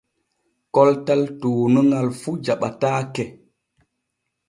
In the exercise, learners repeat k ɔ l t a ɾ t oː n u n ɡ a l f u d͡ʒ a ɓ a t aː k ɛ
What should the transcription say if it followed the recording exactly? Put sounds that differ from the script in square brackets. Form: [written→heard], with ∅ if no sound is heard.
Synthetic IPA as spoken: k ɔ l t a [ɾ→l] t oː n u [n→ŋ] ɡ a l f u d͡ʒ a ɓ a t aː k ɛ

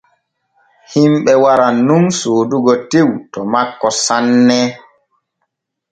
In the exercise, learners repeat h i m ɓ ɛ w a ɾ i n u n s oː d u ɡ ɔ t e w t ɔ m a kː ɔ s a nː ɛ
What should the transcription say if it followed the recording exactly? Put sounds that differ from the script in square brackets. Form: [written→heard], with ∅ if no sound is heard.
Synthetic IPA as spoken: h i m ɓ ɛ w a ɾ [i→a] n u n s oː d u ɡ ɔ t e w t ɔ m a kː ɔ s a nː ɛ

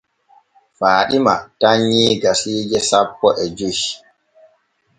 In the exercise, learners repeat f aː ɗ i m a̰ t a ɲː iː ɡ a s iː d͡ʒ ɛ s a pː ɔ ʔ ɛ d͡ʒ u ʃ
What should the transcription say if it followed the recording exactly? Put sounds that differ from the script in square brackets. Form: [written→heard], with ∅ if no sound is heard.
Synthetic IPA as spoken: f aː ɗ i m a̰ t a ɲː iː ɡ a s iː d͡ʒ ɛ s a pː ɔ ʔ ɛ d͡ʒ u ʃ

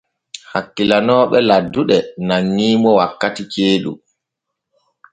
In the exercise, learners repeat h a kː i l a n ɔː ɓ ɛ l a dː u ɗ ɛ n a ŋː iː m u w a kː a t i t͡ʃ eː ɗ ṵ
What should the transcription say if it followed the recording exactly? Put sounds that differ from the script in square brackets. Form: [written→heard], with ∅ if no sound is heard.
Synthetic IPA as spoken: h a kː i l a n ɔː ɓ ɛ l a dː u ɗ ɛ n a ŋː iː m [u→ɔ] w a kː a t i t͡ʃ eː ɗ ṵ

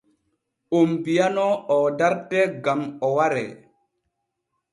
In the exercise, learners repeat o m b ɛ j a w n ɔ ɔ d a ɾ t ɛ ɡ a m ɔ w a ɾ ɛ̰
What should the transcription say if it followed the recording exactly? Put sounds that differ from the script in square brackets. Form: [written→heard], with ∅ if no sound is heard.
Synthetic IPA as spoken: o m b [ɛ→i] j a [w→∅] n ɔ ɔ d a ɾ t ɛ ɡ a m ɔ w a ɾ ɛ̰

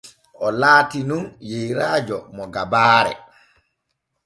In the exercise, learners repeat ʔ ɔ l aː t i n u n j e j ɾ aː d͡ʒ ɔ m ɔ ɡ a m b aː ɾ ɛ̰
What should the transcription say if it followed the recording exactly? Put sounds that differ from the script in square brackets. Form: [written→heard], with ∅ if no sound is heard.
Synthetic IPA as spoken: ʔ ɔ l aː t i n u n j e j ɾ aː d͡ʒ ɔ m ɔ ɡ a [m→∅] b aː ɾ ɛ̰

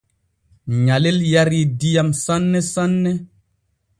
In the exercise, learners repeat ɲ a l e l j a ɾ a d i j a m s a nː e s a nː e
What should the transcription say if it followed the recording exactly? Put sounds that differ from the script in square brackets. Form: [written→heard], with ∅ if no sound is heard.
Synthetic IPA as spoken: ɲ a l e l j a ɾ [a→i] d i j a m s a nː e s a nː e

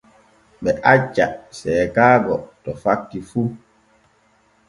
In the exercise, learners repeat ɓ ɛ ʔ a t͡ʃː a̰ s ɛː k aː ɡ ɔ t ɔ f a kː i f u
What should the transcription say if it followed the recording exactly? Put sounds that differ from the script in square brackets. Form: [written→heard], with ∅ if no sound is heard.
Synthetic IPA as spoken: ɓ ɛ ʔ a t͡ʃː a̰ s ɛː k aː ɡ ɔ t ɔ f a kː i f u

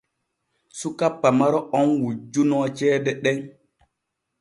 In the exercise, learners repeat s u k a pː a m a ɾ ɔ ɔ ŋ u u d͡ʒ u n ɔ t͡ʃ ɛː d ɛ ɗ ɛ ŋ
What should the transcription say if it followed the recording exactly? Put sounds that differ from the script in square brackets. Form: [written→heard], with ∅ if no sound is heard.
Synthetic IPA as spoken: s u k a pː a m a ɾ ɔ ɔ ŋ [u→w] u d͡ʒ u n ɔ t͡ʃ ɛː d ɛ ɗ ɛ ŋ

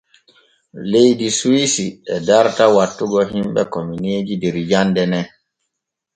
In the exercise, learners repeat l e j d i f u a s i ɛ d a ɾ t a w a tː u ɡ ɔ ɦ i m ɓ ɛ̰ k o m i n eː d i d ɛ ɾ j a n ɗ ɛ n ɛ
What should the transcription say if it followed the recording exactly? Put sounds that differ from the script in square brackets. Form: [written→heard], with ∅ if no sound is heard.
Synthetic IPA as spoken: l e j d i [f→s] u [a→i] s i ɛ d a ɾ t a w a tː u ɡ ɔ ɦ i m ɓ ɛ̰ k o m i n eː [d→d͡ʒ] i d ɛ ɾ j a n [ɗ→d] ɛ n ɛ

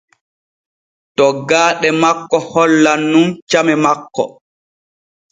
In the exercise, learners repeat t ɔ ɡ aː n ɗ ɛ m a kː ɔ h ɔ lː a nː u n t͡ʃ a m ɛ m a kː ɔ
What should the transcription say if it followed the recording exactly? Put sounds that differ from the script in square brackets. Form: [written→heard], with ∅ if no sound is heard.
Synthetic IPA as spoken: t ɔ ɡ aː [n→∅] ɗ ɛ m a kː ɔ h ɔ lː a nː u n t͡ʃ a m ɛ m a kː ɔ

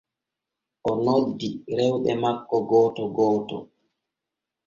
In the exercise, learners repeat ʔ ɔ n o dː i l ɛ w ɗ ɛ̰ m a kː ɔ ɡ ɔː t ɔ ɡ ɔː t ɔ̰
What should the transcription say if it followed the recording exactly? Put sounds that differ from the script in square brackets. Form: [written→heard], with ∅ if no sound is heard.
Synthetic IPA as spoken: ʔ ɔ n o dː i [l→ɾ] ɛ w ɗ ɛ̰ m a kː ɔ ɡ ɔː t ɔ ɡ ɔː t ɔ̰

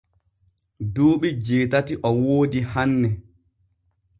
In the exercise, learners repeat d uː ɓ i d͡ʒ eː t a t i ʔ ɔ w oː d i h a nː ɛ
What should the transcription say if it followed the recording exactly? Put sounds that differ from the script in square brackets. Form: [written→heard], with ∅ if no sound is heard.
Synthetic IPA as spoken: d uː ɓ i d͡ʒ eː t a t i ʔ ɔ w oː d i h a nː ɛ

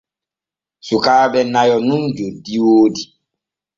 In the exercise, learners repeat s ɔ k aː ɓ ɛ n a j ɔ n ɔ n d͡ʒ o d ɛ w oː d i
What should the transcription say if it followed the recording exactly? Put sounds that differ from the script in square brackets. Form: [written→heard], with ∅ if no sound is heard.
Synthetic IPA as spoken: s [ɔ→u] k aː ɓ ɛ n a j ɔ n [ɔ→u] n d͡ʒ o d [ɛ→i] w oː d i

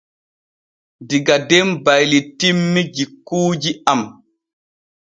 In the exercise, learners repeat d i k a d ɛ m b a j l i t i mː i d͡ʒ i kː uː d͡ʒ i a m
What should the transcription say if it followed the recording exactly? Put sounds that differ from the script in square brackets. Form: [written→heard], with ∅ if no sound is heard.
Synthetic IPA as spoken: d i [k→ɡ] a d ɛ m b a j l i t i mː i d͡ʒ i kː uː d͡ʒ i a m

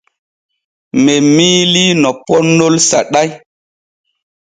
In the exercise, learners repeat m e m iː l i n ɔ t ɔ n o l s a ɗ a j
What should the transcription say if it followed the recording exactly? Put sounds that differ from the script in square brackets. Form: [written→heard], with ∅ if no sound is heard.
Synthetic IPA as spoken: m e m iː l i n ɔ [t→p] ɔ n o l s a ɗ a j

